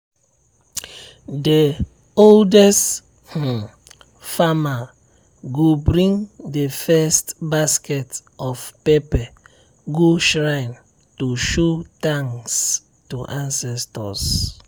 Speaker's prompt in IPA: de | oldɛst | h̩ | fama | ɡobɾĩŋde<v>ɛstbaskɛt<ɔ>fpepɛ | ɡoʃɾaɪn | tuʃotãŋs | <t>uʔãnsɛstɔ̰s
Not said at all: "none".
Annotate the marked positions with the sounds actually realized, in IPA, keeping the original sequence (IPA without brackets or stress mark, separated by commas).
f, ɔ, t